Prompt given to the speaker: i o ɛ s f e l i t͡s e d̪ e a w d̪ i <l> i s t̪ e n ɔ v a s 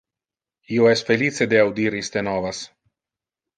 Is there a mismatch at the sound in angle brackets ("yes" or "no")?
yes